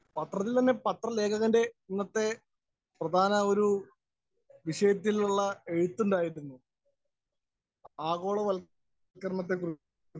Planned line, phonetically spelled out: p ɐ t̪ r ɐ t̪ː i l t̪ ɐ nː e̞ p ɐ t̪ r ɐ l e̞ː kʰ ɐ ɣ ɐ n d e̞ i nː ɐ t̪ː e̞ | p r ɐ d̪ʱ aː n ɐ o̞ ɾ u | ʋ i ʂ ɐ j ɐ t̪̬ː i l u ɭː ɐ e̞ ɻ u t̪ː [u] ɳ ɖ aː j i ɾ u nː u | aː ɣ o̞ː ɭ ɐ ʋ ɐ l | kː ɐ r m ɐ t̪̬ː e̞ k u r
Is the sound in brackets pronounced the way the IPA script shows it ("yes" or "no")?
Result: yes